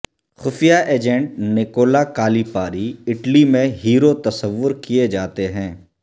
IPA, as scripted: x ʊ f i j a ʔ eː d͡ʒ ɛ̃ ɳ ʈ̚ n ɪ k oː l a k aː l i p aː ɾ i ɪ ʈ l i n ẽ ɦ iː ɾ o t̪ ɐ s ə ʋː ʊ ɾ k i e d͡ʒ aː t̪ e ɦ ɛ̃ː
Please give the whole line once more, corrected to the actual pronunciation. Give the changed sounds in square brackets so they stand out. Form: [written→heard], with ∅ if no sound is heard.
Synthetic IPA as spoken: x ʊ f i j a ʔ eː d͡ʒ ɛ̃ ɳ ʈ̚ n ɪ k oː l a k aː l i p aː ɾ i ɪ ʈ l i [n→m] ẽ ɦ iː ɾ o t̪ ɐ s ə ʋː ʊ ɾ k i e d͡ʒ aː t̪ e ɦ ɛ̃ː